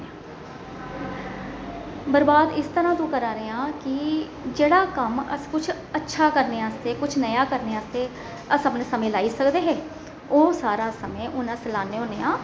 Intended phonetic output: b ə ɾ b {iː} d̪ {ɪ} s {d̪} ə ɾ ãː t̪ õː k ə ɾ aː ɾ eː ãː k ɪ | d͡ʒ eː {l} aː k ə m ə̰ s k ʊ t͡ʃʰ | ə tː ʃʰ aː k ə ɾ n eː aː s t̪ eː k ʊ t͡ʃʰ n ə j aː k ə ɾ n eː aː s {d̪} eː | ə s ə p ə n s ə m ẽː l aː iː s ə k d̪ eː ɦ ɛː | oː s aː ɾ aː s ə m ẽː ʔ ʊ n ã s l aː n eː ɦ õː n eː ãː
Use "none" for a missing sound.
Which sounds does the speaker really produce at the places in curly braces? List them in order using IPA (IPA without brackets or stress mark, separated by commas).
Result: aː, ɪ, t̪, ɽ, t̪